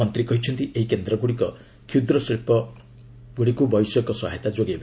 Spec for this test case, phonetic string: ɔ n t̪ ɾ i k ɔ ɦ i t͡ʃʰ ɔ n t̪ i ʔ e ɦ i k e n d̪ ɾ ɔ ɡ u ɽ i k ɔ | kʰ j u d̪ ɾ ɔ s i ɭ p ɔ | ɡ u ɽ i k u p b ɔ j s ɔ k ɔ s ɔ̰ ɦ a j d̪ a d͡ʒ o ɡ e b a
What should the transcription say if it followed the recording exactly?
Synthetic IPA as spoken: ɔ n t̪ ɾ i k ɔ ɦ i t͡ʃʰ ɔ n t̪ i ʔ e ɦ i k e n d̪ ɾ ɔ ɡ u ɽ i k ɔ | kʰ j u d̪ ɾ ɔ s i ɭ p ɔ | ɡ u ɽ i k u b ɔ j s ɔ k ɔ s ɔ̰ ɦ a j t̪ a d͡ʒ o ɡ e b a